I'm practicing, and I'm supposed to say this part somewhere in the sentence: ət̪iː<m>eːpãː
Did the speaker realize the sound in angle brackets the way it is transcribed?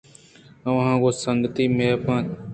yes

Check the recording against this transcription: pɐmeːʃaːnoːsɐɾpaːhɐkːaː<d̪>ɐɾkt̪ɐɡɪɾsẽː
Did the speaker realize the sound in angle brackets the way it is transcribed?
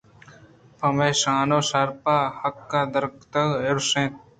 yes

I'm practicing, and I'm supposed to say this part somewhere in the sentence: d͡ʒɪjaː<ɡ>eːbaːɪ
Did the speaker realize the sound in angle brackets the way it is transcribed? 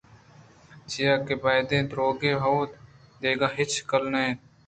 no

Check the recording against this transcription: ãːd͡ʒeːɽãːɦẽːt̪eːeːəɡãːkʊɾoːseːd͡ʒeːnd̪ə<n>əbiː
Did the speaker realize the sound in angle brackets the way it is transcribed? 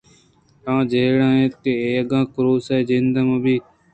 no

